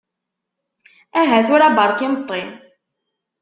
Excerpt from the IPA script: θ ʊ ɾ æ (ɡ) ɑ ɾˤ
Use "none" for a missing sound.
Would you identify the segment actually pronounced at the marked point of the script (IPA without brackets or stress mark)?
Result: b